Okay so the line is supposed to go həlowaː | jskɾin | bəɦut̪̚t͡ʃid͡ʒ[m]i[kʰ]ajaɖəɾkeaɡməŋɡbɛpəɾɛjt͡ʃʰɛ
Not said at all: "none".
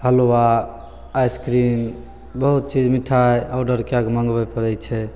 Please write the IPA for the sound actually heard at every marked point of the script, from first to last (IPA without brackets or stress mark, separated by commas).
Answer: m, ʈʰ